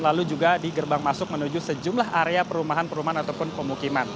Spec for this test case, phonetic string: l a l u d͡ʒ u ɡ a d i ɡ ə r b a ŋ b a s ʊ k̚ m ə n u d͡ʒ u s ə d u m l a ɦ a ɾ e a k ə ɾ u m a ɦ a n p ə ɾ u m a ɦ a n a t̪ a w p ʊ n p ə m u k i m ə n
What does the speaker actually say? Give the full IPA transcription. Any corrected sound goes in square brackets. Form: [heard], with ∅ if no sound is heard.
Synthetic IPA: l a l u d͡ʒ u ɡ a d i ɡ ə r b a ŋ [m] a s ʊ k̚ m ə n u d͡ʒ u s ə [d͡ʒ] u m l a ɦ a ɾ e a [p] ə ɾ u m a ɦ a n p ə ɾ u m a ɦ a n a t̪ a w p ʊ n p ə m u k i m [a] n